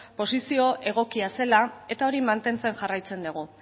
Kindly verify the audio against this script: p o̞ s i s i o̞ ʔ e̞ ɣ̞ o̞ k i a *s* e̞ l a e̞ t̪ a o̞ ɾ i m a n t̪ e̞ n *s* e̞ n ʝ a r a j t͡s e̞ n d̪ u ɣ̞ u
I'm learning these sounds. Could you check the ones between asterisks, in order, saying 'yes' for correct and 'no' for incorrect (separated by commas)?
yes, no